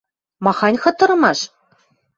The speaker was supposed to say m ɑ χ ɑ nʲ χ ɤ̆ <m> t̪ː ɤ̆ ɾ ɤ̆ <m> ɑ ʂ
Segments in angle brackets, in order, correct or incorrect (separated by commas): incorrect, correct